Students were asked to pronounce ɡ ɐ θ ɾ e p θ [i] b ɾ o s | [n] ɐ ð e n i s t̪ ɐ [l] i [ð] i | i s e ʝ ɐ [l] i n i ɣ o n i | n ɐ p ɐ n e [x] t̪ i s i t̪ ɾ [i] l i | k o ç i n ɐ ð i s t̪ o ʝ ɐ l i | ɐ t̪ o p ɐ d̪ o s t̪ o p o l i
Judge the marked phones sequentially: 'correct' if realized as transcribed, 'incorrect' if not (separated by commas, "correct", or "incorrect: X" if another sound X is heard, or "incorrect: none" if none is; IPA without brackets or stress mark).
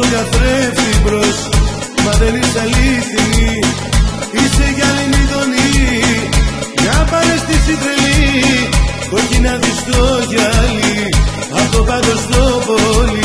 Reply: correct, incorrect: m, correct, incorrect: θ, correct, incorrect: s, incorrect: e